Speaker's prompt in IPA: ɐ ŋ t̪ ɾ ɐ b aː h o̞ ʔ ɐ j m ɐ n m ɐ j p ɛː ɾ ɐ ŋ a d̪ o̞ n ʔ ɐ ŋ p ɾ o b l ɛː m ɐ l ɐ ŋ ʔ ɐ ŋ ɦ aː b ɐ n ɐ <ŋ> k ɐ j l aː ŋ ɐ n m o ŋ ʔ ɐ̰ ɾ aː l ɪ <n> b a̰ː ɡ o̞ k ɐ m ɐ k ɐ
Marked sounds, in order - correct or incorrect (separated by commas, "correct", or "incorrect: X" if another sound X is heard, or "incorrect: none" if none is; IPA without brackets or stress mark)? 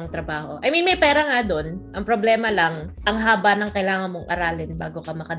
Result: correct, correct